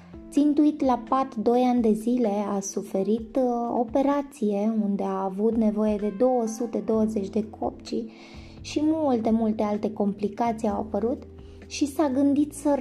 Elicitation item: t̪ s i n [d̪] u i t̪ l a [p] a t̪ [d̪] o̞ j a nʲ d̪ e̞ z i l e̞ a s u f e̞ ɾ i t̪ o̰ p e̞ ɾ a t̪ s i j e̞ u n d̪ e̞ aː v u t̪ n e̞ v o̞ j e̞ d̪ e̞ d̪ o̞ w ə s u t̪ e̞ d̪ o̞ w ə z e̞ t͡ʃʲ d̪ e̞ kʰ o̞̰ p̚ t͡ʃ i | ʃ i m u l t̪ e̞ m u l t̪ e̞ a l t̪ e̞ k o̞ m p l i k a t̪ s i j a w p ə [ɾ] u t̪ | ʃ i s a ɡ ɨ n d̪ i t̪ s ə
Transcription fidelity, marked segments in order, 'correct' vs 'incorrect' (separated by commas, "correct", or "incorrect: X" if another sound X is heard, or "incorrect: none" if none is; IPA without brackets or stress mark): incorrect: t̪, correct, correct, correct